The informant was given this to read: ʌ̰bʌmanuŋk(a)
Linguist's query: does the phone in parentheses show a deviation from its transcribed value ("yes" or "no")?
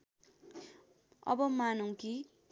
yes